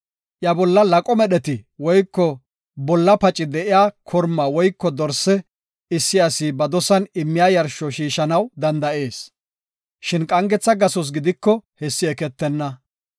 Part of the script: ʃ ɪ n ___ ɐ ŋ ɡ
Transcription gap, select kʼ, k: kʼ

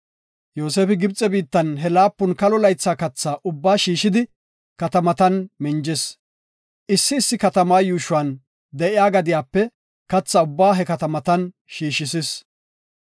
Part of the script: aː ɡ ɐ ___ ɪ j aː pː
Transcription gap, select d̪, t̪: d̪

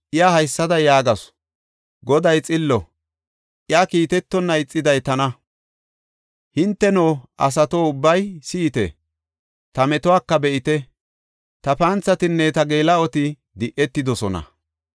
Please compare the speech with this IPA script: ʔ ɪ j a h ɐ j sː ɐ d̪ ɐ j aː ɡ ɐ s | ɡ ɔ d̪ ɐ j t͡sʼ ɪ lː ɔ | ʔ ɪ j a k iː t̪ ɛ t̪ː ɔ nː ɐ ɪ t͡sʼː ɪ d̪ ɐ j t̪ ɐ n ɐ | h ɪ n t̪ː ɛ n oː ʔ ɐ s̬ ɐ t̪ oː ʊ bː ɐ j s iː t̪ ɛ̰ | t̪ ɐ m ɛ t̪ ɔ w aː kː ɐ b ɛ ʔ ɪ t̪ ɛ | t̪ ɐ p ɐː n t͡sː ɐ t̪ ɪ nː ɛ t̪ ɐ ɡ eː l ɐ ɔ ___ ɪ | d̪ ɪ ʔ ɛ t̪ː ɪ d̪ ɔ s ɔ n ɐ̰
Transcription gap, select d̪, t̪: t̪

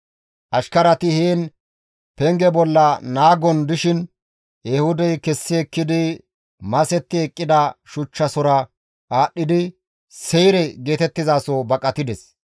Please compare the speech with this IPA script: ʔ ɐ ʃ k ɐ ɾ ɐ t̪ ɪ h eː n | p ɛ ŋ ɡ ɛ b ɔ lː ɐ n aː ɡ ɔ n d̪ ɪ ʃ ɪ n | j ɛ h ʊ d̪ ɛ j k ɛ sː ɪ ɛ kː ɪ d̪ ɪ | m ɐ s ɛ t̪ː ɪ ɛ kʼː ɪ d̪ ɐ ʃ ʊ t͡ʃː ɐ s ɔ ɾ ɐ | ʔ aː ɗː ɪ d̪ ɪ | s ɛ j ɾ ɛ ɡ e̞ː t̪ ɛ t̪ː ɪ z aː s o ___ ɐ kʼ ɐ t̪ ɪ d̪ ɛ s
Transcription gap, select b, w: b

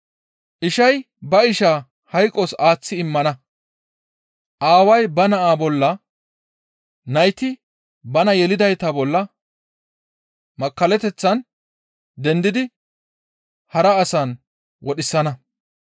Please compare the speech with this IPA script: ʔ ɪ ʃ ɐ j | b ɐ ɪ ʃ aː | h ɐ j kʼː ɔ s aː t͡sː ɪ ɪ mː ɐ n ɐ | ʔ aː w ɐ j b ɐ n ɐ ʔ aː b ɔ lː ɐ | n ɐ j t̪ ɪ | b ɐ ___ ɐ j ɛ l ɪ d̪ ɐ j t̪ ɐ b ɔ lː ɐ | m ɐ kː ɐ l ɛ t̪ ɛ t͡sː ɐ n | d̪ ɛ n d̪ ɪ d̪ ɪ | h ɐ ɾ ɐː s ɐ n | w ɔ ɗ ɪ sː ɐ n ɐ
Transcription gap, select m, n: n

